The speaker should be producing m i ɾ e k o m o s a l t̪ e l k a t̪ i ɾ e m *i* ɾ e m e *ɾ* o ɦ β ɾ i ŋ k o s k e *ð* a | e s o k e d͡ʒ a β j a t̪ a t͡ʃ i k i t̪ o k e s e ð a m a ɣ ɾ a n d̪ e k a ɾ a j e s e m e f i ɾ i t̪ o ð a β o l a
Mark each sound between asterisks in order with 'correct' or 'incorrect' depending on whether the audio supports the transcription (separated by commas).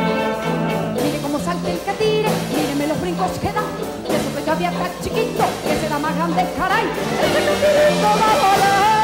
correct, incorrect, correct